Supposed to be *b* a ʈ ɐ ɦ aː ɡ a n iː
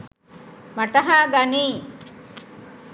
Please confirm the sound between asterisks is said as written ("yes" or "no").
no